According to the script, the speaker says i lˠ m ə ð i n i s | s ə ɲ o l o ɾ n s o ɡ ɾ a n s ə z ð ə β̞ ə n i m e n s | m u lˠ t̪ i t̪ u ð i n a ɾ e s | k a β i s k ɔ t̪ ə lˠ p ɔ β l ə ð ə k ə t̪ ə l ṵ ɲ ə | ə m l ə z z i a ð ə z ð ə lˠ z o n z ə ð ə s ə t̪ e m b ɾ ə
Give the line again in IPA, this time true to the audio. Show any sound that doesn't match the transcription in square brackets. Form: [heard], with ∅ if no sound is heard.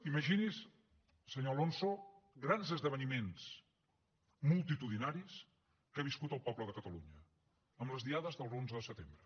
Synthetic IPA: i [∅] m ə [ʒ] i n i s | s ə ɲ o l o [∅] n s o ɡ ɾ a n [z] ə z ð ə β̞ ə n i m e n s | m u lˠ t̪ i t̪ u ð i n a ɾ [i] s | k a β i s k [u] t̪ ə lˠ p ɔ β l ə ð ə k ə t̪ ə l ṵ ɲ ə | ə m l ə z [ð] i a ð ə z ð ə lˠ z o n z ə ð ə s ə t̪ e m b ɾ ə